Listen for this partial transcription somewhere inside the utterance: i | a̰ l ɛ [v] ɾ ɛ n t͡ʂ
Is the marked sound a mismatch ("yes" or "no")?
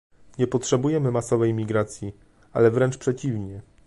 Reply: no